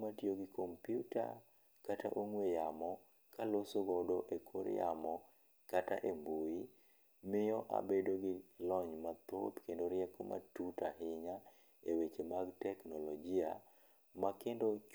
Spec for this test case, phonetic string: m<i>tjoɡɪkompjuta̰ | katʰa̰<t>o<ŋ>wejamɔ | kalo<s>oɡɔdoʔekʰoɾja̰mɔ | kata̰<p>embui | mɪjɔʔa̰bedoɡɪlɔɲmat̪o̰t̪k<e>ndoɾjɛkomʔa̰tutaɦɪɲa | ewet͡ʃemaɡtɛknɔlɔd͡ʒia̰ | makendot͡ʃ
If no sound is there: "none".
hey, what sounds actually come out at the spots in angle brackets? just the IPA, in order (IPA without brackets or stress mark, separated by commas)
a, ʔ, ŋ, s, ʔ, e